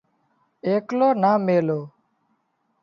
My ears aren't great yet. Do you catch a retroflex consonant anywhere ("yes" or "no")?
no